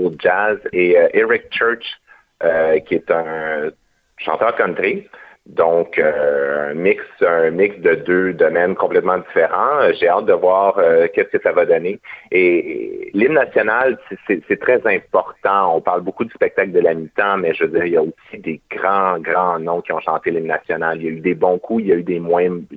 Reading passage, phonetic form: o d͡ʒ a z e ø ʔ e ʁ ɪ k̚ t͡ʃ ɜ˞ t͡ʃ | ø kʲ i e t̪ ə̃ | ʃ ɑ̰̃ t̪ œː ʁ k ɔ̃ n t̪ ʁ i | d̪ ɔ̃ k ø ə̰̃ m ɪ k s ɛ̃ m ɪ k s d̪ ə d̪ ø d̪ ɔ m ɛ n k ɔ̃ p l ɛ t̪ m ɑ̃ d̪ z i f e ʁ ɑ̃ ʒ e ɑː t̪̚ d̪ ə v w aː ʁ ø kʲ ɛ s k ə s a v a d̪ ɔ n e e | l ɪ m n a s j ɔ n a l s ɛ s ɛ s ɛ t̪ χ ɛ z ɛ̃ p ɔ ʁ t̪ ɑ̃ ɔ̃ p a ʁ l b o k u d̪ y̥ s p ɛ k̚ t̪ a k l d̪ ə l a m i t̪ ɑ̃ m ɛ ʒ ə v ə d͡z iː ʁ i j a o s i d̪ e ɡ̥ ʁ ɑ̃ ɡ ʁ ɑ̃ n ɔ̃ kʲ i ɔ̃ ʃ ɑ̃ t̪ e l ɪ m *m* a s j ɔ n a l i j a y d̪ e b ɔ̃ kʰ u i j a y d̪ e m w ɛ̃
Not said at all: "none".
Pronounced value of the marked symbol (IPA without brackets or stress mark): n